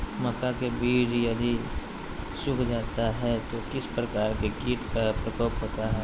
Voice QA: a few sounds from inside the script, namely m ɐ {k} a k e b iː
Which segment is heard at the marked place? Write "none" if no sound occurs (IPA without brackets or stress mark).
k